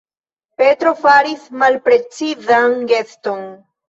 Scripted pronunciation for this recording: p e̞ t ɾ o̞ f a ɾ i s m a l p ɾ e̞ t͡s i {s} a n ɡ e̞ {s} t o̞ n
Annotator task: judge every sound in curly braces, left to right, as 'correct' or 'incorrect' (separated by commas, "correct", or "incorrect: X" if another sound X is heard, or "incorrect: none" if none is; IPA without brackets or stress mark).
incorrect: z, correct